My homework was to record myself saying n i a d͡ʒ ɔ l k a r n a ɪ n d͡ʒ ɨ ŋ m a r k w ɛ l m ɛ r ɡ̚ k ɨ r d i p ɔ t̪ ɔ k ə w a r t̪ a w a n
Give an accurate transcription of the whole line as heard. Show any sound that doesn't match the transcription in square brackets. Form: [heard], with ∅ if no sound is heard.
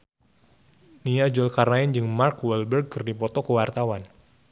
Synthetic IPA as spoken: n i a d͡ʒ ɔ l k a r n a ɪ n d͡ʒ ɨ ŋ m a r k w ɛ l [b] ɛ r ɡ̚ k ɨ r d i p ɔ t̪ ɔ k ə w a r t̪ a w a n